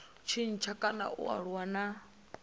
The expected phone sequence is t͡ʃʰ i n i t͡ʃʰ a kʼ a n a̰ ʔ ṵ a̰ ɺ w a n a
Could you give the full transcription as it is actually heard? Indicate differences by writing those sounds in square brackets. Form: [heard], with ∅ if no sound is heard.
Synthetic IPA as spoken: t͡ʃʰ i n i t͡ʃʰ a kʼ a n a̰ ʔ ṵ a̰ ɺ w a n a